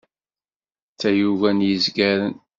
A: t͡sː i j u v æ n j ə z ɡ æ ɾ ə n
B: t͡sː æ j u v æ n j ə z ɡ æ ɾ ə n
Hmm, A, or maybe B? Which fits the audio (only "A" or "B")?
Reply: B